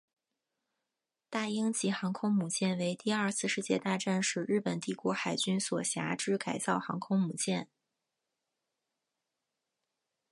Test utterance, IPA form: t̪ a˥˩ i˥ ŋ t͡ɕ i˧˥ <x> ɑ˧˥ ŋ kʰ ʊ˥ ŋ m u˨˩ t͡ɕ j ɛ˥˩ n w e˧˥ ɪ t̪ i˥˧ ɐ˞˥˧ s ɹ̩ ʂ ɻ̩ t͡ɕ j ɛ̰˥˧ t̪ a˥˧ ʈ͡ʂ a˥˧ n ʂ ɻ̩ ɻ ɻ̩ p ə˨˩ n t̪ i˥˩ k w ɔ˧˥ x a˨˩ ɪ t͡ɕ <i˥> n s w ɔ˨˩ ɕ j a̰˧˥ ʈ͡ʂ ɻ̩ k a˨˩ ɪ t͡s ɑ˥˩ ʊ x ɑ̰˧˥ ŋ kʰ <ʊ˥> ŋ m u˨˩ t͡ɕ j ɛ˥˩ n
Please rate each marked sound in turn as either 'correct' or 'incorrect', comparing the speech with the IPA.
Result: correct, incorrect: y˥, correct

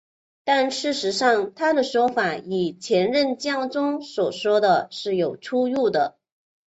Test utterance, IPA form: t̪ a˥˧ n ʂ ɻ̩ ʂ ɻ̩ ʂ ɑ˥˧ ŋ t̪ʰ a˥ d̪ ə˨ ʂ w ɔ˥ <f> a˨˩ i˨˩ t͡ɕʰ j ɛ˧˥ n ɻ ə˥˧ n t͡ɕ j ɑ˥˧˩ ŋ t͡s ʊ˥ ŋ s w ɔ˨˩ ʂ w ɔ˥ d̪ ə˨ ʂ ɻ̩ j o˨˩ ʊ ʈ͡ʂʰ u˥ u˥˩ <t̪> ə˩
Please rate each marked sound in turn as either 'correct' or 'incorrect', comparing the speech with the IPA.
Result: correct, incorrect: d̪

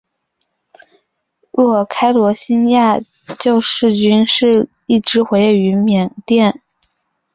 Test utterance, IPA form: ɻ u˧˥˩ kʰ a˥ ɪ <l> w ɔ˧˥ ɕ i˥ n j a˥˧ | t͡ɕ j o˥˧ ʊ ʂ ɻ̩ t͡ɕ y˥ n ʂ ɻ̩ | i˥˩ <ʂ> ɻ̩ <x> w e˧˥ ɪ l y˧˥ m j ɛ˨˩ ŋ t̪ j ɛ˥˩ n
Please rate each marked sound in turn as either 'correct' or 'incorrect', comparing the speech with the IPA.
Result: correct, incorrect: ʈ͡ʂ, correct

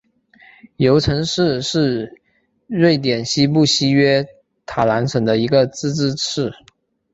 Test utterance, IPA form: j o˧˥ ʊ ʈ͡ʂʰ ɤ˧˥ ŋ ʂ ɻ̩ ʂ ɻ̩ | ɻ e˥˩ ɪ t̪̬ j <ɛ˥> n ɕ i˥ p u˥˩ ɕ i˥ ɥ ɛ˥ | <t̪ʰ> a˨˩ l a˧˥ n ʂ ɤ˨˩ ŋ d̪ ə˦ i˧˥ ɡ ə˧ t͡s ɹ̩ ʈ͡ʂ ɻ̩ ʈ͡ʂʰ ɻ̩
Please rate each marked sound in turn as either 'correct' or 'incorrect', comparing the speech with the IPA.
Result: incorrect: ɛ˨˩, correct

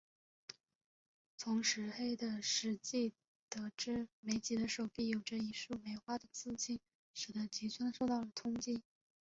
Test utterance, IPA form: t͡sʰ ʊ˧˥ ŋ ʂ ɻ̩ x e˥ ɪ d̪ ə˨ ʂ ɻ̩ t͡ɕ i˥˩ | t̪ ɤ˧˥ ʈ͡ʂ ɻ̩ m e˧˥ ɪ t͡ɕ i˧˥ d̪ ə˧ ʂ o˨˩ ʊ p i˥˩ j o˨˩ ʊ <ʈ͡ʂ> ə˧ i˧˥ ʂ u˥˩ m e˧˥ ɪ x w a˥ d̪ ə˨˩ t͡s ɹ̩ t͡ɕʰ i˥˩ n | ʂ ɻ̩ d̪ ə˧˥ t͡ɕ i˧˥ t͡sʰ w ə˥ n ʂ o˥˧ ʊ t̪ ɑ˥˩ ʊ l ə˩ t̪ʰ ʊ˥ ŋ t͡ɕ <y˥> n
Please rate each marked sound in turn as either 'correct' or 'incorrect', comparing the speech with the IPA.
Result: correct, incorrect: i˥

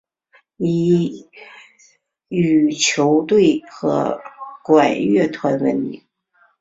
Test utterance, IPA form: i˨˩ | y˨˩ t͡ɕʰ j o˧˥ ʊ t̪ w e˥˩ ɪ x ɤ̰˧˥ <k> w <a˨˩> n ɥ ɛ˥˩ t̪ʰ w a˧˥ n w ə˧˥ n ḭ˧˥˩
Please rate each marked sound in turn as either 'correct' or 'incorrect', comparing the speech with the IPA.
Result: correct, correct

